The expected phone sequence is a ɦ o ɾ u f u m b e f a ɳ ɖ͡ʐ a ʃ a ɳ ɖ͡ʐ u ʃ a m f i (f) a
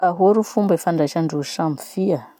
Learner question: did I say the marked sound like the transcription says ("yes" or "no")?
no